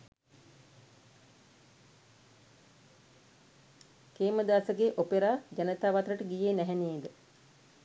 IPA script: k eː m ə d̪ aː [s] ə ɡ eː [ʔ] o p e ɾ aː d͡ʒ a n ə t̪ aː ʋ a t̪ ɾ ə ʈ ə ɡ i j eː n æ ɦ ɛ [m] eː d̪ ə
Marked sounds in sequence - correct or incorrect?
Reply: correct, correct, incorrect

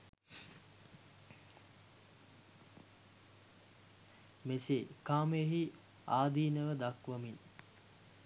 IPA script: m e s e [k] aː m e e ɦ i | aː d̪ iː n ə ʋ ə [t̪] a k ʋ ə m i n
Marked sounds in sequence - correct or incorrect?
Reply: correct, incorrect

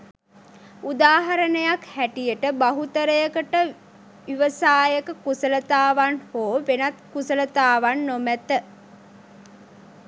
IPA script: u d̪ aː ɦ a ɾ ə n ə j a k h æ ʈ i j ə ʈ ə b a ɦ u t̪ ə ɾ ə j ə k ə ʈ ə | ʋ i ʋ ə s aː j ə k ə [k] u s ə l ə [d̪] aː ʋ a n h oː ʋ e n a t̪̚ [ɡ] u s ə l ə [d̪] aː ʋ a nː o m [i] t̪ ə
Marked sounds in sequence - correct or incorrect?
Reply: correct, incorrect, incorrect, incorrect, incorrect

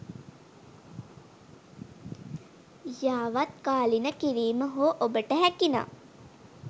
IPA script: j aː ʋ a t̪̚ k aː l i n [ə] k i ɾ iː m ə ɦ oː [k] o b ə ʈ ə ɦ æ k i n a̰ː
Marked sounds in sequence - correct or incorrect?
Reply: correct, incorrect

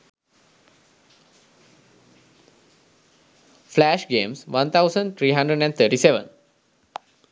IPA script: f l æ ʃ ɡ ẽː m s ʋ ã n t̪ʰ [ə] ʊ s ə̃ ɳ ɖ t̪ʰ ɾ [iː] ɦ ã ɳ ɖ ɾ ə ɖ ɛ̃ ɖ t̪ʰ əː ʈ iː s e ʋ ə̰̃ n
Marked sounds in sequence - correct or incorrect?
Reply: incorrect, correct

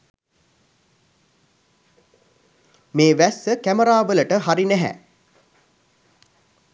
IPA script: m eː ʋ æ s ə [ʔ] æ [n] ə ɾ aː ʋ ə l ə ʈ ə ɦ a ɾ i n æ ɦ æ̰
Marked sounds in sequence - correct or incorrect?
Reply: incorrect, incorrect

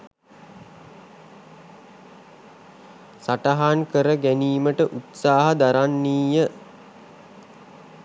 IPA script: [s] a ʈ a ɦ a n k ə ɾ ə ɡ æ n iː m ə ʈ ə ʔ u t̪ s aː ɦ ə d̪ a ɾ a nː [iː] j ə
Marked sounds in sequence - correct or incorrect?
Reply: correct, correct

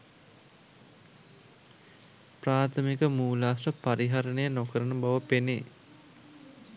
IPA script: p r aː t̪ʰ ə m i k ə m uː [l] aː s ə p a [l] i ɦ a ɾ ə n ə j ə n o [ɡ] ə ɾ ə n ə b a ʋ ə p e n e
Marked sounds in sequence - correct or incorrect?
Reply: correct, incorrect, incorrect

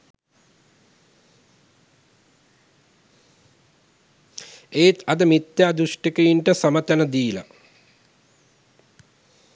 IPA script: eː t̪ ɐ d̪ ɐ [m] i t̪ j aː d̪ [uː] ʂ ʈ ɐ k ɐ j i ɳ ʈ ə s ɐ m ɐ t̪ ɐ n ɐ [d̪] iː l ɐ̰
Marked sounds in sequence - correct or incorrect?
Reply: correct, incorrect, correct

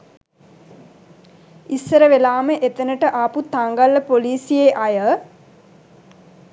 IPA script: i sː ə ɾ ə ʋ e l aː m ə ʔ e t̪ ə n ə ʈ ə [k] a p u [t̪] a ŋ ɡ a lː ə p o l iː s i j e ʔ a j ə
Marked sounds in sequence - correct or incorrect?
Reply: incorrect, correct

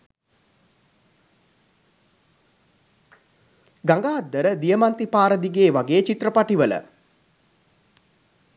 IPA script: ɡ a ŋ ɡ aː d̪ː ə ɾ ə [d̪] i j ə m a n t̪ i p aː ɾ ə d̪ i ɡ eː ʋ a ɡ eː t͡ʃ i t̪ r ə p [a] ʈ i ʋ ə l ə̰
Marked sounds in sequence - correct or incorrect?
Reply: correct, correct

